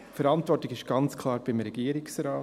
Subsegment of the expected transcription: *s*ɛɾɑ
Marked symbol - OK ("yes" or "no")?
no